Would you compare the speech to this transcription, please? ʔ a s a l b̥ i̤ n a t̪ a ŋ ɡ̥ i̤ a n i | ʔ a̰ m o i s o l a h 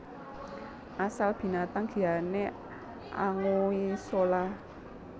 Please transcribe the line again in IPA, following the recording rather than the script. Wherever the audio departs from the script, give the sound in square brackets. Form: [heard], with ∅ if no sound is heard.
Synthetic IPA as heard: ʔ a s a l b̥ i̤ n a t̪ a ŋ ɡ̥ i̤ a n [e] | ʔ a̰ [ŋ] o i s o l a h